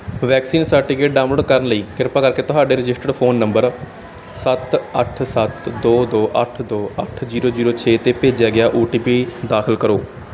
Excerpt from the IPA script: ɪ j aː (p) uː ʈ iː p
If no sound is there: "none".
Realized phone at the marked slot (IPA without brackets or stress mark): ʔ